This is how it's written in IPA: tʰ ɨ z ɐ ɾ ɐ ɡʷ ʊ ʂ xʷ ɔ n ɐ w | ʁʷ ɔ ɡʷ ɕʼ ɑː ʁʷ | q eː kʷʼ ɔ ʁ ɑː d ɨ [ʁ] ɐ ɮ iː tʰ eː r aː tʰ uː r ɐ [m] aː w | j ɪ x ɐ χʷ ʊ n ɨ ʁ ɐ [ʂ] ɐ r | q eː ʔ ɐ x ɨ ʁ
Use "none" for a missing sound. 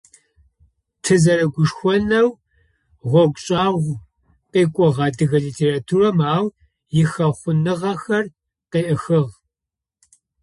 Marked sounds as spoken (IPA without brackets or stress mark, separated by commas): ɣ, m, x